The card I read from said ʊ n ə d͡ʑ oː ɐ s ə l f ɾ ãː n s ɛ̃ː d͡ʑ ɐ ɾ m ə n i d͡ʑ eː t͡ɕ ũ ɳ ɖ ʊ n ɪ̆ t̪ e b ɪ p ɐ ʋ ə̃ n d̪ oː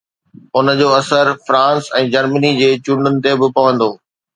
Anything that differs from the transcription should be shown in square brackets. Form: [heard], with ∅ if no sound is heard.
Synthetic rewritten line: ʊ n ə d͡ʑ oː ɐ s ə [ɾ] f ɾ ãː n s ɛ̃ː d͡ʑ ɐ ɾ m ə n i d͡ʑ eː t͡ɕ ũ ɳ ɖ ʊ n ɪ̆ t̪ e b ɪ p ɐ ʋ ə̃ n d̪ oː